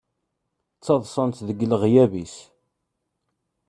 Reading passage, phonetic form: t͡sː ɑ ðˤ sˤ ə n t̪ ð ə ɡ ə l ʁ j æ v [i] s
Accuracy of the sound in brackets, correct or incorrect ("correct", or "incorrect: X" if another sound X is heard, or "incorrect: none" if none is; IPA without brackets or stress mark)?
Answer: correct